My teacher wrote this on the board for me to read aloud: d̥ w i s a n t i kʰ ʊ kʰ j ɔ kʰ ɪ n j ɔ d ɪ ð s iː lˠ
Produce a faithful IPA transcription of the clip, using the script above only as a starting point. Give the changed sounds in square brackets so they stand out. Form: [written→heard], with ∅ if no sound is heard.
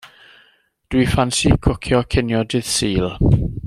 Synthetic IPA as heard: d̥ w i [s→f] a n [t→s] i kʰ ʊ kʰ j ɔ kʰ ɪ n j ɔ d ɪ ð s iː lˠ

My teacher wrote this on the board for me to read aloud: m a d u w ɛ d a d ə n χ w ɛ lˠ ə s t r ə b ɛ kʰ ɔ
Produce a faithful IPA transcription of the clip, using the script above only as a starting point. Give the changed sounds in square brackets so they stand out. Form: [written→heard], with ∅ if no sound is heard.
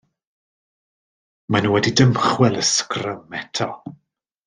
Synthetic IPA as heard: m a [d→n] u w ɛ d [a→i] d ə [n→m] χ w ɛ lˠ ə s [t→k] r ə [b→m] ɛ [kʰ→tʰ] ɔ

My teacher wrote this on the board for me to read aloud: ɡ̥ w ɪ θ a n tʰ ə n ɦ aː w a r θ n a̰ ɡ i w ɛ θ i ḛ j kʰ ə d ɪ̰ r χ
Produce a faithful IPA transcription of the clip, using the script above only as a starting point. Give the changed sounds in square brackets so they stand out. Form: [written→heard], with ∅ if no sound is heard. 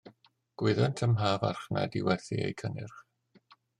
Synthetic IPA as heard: ɡ̥ w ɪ [θ→ð] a n tʰ ə [n→m] ɦ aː [w→v] a r [θ→χ] n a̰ [ɡ→d] i w ɛ θ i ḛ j kʰ ə [d→n] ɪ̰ r χ

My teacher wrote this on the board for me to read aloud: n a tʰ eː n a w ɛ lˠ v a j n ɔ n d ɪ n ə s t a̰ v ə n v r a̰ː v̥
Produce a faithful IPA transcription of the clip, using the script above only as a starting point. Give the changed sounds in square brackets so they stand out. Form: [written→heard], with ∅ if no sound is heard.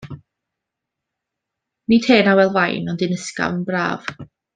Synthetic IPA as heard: n [a→i] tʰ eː n a w ɛ lˠ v a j n ɔ n d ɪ n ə s [t→k] a̰ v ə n [v→b] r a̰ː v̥

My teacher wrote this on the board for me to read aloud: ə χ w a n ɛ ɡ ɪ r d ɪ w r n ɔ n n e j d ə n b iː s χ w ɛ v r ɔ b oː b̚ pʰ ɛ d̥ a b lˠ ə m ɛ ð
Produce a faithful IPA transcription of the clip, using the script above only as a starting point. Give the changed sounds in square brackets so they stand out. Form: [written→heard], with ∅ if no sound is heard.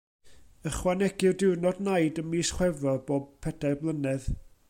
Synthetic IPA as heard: ə χ w a n ɛ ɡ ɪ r d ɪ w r n ɔ [n→d] n [e→a] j d ə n [b→m] iː s χ w ɛ v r ɔ b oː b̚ pʰ ɛ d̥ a b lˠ ə [m→n] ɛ ð

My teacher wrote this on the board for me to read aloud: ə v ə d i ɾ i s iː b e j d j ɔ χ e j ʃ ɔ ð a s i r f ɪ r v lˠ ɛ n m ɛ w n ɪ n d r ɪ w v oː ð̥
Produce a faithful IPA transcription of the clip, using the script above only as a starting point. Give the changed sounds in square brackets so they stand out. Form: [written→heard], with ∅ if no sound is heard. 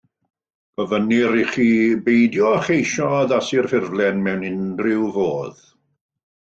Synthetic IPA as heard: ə v ə [d→n] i ɾ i [s→χ] iː b e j d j ɔ χ e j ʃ ɔ ð a s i r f ɪ r v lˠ ɛ n m ɛ w n ɪ n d r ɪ w v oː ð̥

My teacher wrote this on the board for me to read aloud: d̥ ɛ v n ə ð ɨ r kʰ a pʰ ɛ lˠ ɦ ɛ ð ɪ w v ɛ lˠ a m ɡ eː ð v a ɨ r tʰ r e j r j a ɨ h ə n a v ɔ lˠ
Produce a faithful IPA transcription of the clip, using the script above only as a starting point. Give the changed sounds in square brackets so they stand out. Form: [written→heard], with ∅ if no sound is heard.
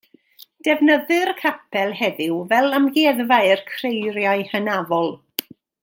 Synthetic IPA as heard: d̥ ɛ v n ə ð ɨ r kʰ a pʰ ɛ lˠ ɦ ɛ ð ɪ w v ɛ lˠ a m ɡ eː ð v a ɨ r [tʰ→kʰ] r e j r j a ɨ h ə n a v ɔ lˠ

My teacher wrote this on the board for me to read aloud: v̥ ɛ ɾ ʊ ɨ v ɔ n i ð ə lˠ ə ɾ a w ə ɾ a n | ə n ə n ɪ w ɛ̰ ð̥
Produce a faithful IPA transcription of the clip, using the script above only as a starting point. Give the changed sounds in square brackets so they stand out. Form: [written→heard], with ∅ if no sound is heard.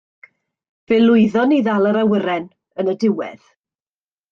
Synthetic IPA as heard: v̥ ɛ [ɾ→l] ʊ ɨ [v→ð] ɔ n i ð [ə→a] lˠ ə ɾ a w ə ɾ [a→ɛ] n | ə n ə [n→d] ɪ w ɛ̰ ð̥

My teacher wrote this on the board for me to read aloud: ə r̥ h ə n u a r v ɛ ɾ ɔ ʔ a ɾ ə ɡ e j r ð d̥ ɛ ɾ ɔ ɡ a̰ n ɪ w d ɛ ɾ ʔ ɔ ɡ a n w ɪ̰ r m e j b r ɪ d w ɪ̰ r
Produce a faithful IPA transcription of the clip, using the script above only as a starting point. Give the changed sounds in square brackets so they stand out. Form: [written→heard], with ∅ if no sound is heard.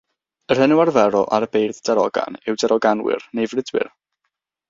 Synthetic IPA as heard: ə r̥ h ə n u a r v ɛ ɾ ɔ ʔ a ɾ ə [ɡ→b] e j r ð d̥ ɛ ɾ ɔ ɡ a̰ n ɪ w d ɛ ɾ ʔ ɔ ɡ a n w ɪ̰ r [m→n] e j [b→v] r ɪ d w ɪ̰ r

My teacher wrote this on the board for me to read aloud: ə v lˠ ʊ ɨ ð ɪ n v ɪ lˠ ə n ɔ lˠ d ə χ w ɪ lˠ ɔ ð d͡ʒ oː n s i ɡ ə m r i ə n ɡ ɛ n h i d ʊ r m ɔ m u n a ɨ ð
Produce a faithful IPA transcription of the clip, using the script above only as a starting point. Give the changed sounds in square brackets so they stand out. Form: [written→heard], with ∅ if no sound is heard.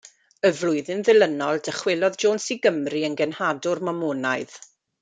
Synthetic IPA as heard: ə v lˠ ʊ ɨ ð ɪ n [v→ð] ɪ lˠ ə n ɔ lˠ d ə χ w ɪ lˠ ɔ ð d͡ʒ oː n s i ɡ ə m r i ə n ɡ ɛ n h [i→a] d ʊ r m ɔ m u n a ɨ ð

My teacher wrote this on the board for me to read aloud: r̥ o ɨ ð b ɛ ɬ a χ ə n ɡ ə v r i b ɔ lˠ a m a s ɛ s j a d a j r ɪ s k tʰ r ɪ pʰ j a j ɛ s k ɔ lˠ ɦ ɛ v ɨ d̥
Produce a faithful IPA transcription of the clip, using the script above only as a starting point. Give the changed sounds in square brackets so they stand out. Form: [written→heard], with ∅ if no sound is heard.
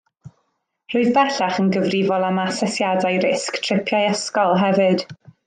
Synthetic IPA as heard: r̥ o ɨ ð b ɛ ɬ a χ ə n ɡ ə v r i [b→v] ɔ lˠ a m a s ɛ s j a d a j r ɪ s k tʰ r ɪ pʰ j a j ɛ s k ɔ lˠ ɦ ɛ v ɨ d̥

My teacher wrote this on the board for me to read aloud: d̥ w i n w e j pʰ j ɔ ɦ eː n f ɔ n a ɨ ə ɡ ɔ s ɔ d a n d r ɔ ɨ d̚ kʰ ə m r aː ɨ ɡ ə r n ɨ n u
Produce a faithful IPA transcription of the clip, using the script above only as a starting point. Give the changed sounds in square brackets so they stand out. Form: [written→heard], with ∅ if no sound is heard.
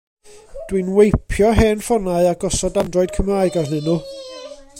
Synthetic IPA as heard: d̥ w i n w e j pʰ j ɔ ɦ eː n f ɔ n a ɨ [ə→a] ɡ ɔ s ɔ d a n d r ɔ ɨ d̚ kʰ ə m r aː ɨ ɡ [ə→a] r n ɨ n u

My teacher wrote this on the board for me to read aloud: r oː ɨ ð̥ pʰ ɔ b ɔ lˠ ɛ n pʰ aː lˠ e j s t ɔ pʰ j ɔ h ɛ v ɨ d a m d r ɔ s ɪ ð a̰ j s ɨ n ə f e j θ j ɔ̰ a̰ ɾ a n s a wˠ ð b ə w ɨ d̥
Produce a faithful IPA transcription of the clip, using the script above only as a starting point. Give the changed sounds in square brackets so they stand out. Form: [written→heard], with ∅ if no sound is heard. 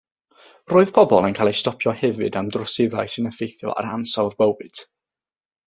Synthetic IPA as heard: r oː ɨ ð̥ pʰ ɔ b ɔ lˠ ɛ n [pʰ→kʰ] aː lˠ e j s t ɔ pʰ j ɔ h ɛ v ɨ d a m d r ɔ s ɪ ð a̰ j s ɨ n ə f e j θ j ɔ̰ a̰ ɾ a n s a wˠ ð b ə w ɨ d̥

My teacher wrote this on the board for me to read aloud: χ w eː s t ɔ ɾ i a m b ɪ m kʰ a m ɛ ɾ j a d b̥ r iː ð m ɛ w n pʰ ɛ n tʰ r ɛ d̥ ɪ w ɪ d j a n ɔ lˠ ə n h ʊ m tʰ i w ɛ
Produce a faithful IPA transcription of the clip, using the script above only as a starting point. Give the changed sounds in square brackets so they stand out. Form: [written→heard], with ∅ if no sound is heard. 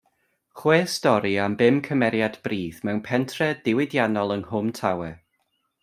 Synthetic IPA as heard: χ w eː s t ɔ ɾ i a m b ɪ m kʰ [a→ə] m ɛ ɾ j a d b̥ r iː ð m ɛ w n pʰ ɛ n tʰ r ɛ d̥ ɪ w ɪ d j a n ɔ lˠ ə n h ʊ m tʰ [i→a] w ɛ

